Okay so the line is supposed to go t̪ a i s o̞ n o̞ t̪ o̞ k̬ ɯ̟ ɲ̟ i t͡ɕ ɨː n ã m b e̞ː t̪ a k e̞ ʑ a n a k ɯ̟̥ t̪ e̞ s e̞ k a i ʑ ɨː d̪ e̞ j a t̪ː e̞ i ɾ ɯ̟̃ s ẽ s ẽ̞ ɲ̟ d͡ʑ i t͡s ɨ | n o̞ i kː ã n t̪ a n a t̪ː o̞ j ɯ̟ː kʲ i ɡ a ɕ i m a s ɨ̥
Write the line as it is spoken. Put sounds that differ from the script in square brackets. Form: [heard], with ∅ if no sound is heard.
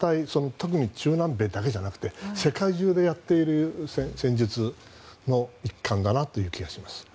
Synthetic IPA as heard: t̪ a i s o̞ n o̞ t̪ o̞ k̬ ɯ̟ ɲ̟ i t͡ɕ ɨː n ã m b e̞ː [d̪] a k e̞ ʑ a n a k ɯ̟̥ t̪ e̞ s e̞ k a i ʑ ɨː d̪ e̞ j a t̪ː e̞ i ɾ [ɯ̟] s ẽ s ẽ̞ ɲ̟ d͡ʑ i t͡s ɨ | n o̞ i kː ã n [d̪] a n a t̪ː o̞ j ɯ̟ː kʲ i ɡ a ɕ i m a s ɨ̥